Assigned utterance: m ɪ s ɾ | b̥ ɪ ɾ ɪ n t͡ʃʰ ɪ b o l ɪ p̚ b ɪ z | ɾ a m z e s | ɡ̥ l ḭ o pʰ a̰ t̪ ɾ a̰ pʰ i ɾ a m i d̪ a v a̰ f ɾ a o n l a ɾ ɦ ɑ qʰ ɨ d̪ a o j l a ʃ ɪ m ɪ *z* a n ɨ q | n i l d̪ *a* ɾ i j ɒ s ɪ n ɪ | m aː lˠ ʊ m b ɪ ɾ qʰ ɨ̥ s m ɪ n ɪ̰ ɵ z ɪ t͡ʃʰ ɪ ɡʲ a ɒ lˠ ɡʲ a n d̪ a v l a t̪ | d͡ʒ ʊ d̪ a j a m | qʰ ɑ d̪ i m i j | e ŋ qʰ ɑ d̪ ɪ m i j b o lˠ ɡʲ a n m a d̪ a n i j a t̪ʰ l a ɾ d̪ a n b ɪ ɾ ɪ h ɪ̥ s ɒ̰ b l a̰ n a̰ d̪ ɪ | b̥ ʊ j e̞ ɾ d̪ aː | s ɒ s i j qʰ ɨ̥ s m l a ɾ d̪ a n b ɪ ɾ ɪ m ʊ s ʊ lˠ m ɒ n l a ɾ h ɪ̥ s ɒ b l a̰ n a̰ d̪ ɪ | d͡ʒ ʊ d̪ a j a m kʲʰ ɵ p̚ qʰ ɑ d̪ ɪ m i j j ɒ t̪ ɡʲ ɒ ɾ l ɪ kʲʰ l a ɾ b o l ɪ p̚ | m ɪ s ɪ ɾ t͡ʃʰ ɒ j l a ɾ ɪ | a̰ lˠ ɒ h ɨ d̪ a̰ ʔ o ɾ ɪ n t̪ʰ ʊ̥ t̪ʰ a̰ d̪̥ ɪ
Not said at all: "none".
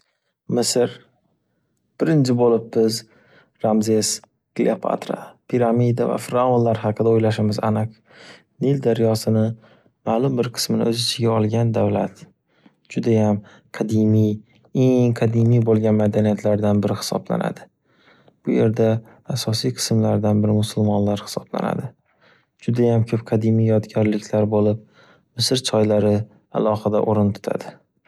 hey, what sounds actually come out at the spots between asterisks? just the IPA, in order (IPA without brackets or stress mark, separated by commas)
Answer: z, a